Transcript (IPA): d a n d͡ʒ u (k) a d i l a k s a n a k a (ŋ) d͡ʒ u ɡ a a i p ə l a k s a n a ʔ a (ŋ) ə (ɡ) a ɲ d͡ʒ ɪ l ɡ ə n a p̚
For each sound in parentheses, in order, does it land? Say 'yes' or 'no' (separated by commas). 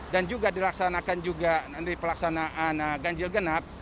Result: no, no, no, yes